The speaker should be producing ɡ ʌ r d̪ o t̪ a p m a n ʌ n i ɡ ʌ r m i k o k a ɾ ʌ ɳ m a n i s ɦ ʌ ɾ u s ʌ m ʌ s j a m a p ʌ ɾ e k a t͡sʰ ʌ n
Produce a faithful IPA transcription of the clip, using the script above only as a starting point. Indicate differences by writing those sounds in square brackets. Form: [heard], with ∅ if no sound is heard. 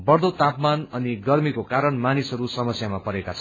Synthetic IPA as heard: [b] ʌ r d̪ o t̪ a p m a n ʌ n i ɡ ʌ r m i k o k a ɾ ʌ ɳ m a n i s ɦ ʌ ɾ u s ʌ m ʌ s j a m a p ʌ ɾ e k a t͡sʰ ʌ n